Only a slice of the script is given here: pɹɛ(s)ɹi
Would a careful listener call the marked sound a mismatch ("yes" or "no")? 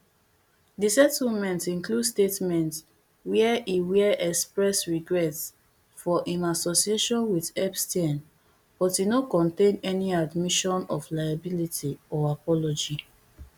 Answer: no